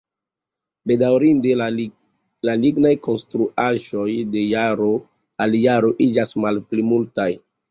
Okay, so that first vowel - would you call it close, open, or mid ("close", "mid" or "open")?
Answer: mid